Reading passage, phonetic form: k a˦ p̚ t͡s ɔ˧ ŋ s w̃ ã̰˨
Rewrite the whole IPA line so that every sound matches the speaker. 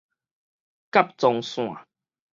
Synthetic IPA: k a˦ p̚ t͡s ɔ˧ ŋ s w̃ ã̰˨